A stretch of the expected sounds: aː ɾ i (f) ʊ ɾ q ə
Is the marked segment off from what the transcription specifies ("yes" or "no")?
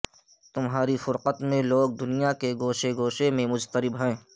no